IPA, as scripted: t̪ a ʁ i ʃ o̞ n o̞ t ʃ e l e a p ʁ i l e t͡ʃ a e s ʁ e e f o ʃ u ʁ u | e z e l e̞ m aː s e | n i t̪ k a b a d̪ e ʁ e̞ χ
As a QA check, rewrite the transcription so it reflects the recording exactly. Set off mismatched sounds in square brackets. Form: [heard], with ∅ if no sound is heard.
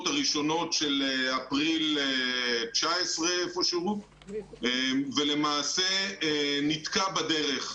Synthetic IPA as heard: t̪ a ʁ i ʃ o̞ n o̞ t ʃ e l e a p ʁ i l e t͡ʃ a e s ʁ e e f o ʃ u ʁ u | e [v] e l e̞ m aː s e | n i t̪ k a b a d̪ e ʁ e̞ χ